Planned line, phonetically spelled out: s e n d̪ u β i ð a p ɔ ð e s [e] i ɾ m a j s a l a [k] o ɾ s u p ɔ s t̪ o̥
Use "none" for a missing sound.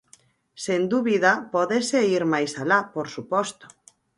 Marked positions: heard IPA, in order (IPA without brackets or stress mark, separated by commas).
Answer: e, p